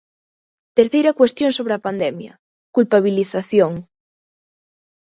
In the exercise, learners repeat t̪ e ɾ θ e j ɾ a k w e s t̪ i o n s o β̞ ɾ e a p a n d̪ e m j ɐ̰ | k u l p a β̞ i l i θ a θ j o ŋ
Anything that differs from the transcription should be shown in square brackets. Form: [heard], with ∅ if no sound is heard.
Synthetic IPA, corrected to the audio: t̪ e ɾ θ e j ɾ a k w e s t̪ [j] o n s o β̞ ɾ e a p a n d̪ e m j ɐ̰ | k u l p a β̞ i l i θ a θ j o ŋ